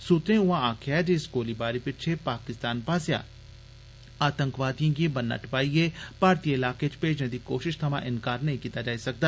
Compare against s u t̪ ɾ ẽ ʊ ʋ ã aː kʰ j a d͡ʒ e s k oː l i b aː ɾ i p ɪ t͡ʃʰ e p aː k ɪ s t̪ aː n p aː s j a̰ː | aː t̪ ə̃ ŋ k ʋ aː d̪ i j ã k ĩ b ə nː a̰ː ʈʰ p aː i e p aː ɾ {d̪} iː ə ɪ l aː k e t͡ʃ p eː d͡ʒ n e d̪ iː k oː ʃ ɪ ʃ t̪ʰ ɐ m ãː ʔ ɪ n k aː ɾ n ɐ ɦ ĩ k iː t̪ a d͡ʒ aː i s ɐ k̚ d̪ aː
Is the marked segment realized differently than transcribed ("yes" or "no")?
yes